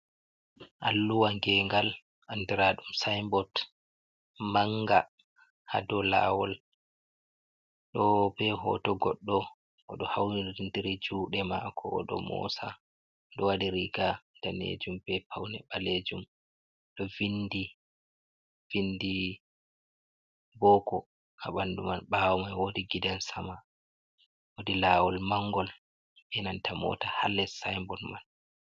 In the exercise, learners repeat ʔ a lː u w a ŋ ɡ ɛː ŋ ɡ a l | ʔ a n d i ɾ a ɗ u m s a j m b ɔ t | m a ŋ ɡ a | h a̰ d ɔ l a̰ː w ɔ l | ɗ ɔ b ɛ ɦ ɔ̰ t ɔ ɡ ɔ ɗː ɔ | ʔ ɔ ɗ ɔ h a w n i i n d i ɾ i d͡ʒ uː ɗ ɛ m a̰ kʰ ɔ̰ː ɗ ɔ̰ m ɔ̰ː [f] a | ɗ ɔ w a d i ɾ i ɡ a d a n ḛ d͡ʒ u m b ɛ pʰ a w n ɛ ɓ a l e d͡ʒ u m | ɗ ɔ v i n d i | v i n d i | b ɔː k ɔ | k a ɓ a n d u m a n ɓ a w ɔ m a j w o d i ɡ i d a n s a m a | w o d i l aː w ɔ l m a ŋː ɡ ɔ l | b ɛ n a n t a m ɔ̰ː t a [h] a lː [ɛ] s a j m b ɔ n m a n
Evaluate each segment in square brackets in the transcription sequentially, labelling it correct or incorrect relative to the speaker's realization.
incorrect, correct, correct

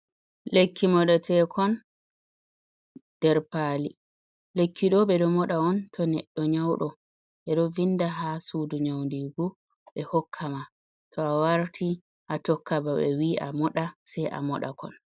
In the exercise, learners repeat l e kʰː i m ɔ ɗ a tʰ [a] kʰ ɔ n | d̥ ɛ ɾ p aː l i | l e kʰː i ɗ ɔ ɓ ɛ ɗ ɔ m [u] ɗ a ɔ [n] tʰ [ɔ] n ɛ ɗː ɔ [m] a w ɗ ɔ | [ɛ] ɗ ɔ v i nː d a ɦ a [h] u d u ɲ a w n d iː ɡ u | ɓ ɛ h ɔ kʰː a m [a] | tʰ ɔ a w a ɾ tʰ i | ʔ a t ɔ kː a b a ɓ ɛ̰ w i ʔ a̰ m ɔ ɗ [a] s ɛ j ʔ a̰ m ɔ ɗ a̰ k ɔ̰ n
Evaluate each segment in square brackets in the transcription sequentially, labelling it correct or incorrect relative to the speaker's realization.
incorrect, incorrect, correct, correct, incorrect, correct, incorrect, correct, correct

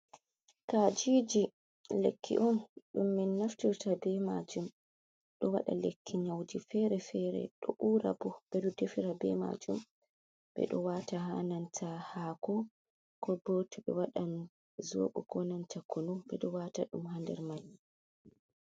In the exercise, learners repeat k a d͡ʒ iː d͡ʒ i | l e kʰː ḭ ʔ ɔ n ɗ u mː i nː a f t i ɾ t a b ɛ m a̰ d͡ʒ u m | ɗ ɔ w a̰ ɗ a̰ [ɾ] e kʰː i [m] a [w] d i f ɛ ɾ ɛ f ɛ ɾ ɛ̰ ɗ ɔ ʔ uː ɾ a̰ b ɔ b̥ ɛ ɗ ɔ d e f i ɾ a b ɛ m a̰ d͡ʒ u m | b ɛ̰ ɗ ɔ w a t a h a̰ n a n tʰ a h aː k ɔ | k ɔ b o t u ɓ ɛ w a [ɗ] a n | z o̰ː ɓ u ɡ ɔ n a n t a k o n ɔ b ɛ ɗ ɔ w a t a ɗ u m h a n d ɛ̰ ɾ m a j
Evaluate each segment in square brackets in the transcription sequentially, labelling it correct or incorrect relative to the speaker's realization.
incorrect, incorrect, correct, correct

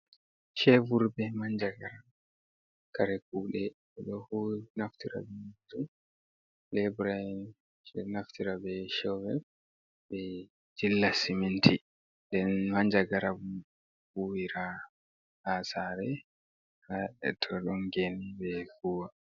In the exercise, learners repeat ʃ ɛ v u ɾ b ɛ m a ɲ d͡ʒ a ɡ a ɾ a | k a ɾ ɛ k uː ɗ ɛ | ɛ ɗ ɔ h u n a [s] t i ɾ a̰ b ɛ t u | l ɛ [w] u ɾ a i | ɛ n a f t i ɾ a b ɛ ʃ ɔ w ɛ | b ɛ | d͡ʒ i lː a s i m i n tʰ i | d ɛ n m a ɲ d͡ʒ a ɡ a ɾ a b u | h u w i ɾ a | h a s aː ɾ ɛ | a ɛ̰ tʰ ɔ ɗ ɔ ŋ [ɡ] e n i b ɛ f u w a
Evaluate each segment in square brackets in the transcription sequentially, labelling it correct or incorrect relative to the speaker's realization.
incorrect, incorrect, correct

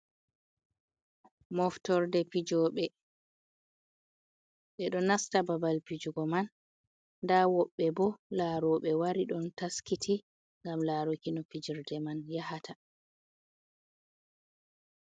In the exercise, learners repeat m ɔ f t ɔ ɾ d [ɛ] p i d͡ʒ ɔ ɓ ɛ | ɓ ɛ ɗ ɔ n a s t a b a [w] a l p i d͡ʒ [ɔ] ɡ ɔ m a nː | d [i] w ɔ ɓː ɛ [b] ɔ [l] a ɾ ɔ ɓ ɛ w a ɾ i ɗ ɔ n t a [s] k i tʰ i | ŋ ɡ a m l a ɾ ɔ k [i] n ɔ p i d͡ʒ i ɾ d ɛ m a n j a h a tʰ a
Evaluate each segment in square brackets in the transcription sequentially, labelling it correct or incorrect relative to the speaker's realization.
correct, incorrect, incorrect, incorrect, correct, correct, correct, correct

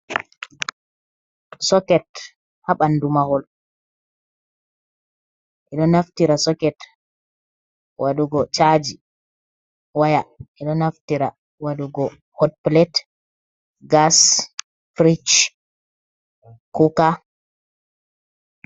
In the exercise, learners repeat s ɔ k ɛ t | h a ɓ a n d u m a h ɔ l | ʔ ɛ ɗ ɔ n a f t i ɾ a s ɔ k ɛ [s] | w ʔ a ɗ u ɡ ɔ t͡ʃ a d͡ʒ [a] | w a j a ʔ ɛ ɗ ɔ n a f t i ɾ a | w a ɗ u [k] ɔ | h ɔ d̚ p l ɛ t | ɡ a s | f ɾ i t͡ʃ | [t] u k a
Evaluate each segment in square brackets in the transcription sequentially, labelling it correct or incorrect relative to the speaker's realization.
incorrect, incorrect, incorrect, incorrect

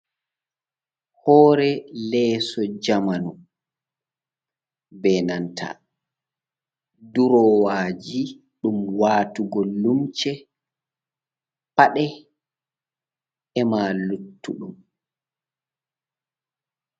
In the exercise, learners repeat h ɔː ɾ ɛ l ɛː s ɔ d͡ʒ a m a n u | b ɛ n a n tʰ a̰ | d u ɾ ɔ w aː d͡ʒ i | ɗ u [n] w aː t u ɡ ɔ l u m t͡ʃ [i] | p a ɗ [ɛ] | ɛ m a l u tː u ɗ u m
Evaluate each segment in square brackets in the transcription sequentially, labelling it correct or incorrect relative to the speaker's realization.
incorrect, incorrect, correct

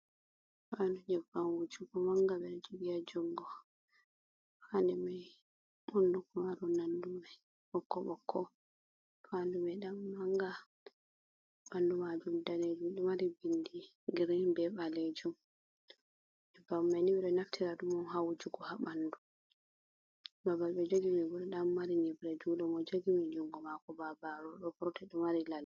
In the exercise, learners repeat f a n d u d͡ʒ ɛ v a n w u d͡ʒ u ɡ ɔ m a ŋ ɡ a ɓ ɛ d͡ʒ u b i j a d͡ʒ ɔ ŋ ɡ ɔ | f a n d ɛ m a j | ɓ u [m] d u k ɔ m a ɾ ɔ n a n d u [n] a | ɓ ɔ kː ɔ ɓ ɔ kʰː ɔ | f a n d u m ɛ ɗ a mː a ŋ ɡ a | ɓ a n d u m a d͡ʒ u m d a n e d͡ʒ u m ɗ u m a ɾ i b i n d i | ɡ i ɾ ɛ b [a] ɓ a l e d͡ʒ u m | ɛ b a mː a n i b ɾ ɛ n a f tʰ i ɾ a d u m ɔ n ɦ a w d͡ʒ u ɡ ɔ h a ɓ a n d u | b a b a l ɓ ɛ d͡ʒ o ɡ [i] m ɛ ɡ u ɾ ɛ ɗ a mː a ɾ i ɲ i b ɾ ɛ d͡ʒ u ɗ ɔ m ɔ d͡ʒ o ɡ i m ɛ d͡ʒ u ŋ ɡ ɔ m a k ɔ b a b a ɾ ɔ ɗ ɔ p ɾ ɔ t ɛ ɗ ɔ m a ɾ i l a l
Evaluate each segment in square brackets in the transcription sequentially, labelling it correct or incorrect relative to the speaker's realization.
incorrect, incorrect, incorrect, correct

